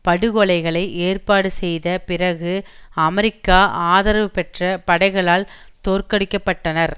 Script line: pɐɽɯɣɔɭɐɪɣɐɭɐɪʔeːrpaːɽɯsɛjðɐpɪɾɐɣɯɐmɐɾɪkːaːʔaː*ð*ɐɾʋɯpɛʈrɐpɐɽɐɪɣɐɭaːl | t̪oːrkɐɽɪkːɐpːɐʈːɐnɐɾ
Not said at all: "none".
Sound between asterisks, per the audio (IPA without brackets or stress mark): ð